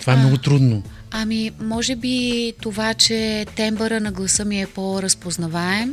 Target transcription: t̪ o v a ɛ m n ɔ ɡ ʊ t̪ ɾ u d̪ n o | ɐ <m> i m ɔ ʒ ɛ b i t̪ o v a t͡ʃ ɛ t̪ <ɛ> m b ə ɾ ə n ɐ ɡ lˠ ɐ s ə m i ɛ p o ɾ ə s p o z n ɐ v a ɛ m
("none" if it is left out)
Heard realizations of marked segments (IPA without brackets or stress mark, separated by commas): m, ɛ